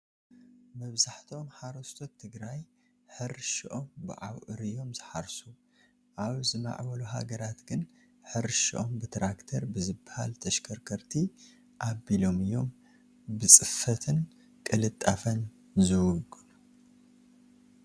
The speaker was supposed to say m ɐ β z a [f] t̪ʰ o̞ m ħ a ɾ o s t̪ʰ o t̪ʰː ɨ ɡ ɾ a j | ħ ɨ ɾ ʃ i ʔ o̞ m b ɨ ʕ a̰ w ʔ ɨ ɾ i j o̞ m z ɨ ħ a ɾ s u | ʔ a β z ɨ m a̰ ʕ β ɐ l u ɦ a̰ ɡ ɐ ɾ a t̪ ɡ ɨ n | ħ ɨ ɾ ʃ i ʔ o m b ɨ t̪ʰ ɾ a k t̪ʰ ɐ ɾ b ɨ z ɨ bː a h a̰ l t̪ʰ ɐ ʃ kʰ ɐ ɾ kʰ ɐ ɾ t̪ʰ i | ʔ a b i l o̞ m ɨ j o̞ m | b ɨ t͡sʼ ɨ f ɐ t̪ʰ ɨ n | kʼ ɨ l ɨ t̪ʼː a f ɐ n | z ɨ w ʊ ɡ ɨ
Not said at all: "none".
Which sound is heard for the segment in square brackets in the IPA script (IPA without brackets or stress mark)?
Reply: ħ